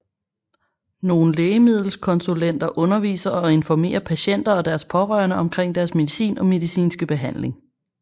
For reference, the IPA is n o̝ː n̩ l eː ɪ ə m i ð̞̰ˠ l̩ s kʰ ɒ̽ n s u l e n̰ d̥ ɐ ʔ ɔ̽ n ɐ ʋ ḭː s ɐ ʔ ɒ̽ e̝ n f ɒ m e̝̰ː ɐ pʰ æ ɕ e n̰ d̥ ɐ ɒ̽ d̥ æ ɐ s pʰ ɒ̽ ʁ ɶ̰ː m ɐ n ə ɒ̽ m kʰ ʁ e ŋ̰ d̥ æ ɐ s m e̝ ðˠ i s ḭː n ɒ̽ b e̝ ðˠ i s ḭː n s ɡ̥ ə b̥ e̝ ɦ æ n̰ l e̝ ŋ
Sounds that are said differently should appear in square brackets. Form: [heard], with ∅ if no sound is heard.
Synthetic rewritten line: n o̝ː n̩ l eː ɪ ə m i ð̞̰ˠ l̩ s kʰ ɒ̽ n s u l e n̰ d̥ ɐ ʔ ɔ̽ n ɐ ʋ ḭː s ɐ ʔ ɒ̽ e̝ n f ɒ m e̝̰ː ɐ pʰ æ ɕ e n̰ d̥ ɐ ɒ̽ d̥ æ ɐ s pʰ ɒ̽ ʁ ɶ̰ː [∅] ɐ n ə ɒ̽ m kʰ ʁ e ŋ̰ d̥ æ ɐ s m e̝ ðˠ i s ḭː n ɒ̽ [m] e̝ ðˠ i s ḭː n s ɡ̥ ə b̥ e̝ ɦ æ n̰ l e̝ ŋ